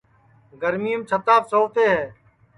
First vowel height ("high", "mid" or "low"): mid